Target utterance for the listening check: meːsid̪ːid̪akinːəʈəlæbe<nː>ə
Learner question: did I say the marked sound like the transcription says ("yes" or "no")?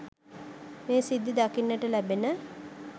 no